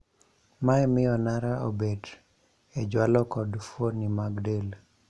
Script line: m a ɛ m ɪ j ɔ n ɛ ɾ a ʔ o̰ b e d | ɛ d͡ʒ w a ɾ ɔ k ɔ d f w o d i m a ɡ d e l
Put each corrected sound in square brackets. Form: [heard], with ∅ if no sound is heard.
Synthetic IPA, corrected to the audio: m a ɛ m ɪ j ɔ n [a] ɾ a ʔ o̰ b e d | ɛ d͡ʒ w a [l] ɔ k ɔ d f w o [n] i m a ɡ d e l